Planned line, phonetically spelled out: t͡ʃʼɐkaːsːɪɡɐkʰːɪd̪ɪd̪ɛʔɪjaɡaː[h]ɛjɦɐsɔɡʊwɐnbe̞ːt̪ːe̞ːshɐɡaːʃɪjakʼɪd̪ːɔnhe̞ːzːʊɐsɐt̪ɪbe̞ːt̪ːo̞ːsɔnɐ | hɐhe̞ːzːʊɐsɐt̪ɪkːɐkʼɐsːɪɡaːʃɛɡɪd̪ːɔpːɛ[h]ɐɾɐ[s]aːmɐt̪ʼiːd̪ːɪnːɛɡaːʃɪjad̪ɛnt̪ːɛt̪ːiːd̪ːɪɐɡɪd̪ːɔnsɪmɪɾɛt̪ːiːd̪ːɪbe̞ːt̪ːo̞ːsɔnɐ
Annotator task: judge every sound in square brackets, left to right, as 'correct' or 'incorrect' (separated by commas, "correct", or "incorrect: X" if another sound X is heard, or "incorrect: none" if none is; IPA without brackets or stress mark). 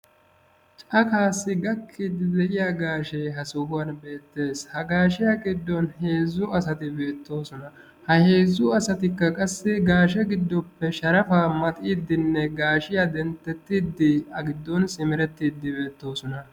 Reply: incorrect: ʃ, incorrect: ʃ, incorrect: f